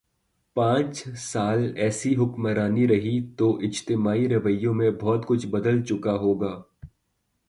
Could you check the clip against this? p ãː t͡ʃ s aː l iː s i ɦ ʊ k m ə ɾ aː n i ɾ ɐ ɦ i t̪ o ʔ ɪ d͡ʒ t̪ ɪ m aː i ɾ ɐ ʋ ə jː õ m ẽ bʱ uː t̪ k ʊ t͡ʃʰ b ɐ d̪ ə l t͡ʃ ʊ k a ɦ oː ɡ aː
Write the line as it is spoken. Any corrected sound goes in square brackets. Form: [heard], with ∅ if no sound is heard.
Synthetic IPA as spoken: p ãː t͡ʃ s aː l [ɛː] s i ɦ ʊ k m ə ɾ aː n i ɾ ɐ ɦ i t̪ o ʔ ɪ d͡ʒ t̪ ɪ m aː i ɾ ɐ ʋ ə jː õ m ẽ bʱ [ɔː] t̪ k ʊ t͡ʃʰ b ɐ d̪ ə l t͡ʃ ʊ k a ɦ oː ɡ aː